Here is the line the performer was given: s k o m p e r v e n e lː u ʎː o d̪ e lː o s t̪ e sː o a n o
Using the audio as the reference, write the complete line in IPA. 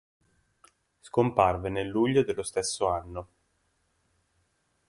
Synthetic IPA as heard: s k o m p a r v e n e lː u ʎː o d̪ e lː o s t̪ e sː o a nː o